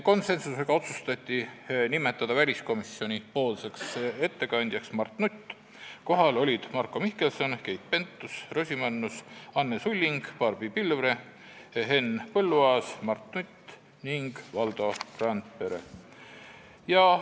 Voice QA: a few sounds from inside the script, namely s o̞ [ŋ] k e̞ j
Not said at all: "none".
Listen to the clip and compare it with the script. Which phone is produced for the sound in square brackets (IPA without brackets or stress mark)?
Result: n